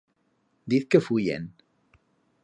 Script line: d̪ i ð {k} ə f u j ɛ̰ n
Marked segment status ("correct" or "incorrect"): correct